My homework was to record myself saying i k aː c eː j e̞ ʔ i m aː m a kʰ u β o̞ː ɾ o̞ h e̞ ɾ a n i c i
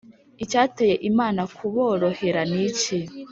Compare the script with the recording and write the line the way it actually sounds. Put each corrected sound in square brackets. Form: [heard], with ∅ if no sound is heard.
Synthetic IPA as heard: i [c] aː [t] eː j e̞ ʔ i m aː [n] a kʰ u β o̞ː ɾ o̞ h e̞ ɾ a n i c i